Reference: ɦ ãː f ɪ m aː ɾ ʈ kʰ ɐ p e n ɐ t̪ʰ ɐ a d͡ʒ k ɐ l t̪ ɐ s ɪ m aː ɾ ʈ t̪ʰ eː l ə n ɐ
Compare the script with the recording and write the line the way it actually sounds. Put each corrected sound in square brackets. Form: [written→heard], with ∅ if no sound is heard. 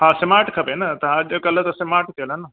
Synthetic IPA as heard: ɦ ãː [f→s] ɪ m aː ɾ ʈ kʰ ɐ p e n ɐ [t̪ʰ→t̪] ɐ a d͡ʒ k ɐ l t̪ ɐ s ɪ m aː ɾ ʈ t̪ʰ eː l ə n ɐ